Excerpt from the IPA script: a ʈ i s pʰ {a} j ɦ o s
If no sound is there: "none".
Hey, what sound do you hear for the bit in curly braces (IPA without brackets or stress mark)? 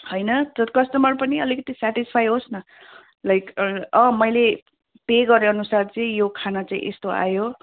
a